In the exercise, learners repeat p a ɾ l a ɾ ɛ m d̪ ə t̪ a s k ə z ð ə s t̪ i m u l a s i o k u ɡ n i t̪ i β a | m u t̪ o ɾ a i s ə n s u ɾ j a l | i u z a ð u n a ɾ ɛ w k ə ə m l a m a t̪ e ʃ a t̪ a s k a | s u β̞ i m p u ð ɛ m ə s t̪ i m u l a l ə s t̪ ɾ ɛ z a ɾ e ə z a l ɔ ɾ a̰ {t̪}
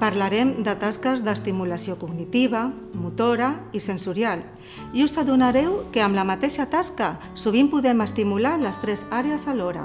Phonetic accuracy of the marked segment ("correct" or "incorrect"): incorrect